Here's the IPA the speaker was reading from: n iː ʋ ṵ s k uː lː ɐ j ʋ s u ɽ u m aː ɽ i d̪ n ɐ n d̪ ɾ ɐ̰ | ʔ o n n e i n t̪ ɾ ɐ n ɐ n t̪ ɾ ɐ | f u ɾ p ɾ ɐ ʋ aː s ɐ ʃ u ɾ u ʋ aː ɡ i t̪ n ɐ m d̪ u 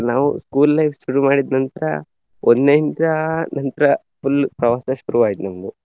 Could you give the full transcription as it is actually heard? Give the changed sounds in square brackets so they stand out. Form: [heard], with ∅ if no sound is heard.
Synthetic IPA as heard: n [aː] ʋ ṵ s k uː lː ɐ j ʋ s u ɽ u m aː ɽ i d̪ n ɐ n [t̪] ɾ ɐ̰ | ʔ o n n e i n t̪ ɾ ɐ n ɐ n t̪ ɾ ɐ | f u [l] p ɾ ɐ ʋ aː s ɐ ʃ u ɾ u ʋ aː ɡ i t̪ n ɐ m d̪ u